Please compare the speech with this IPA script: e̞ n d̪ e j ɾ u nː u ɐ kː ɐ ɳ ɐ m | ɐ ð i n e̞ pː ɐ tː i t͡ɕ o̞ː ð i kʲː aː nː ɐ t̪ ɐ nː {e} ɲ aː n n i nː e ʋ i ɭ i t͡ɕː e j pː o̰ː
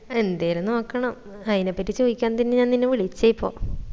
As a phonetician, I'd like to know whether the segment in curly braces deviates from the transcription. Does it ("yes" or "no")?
no